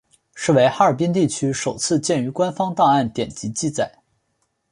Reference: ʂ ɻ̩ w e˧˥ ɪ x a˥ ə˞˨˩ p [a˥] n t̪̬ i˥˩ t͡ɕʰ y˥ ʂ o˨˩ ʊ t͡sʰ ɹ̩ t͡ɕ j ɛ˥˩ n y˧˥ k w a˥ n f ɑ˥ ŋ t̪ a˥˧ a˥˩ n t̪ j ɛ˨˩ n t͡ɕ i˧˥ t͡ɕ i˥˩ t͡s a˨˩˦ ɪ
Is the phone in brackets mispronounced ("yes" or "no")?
yes